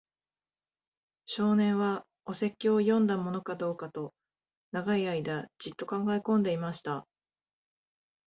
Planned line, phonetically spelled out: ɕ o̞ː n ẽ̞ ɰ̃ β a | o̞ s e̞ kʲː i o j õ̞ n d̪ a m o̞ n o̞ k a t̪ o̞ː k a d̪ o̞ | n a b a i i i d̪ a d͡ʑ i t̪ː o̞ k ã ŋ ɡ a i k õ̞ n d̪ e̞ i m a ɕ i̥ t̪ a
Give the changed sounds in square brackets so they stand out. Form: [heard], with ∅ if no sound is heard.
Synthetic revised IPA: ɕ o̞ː n ẽ̞ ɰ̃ β a | o̞ s e̞ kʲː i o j õ̞ n d̪ a m o̞ n o̞ k a [d̪] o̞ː k a [t̪] o̞ | n a [ɡ] a i [a] i d̪ a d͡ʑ i t̪ː o̞ k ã ŋ ɡ a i k õ̞ n d̪ e̞ i m a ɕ i̥ t̪ a